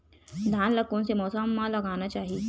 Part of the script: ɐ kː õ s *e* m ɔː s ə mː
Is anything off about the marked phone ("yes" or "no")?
no